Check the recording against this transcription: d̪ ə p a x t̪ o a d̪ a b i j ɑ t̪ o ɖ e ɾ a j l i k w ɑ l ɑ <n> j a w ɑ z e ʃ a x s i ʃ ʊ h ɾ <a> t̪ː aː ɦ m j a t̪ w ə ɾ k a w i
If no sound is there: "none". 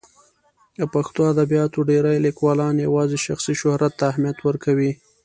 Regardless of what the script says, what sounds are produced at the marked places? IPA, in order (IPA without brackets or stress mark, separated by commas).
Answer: n, a